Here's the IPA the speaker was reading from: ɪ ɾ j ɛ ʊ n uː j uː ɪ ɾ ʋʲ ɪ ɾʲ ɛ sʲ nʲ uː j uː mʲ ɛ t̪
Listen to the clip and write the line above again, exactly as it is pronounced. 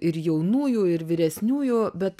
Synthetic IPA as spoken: ɪ ɾ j ɛ ʊ n uː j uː ɪ ɾ ʋʲ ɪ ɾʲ ɛ sʲ nʲ uː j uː bʲ ɛ t̪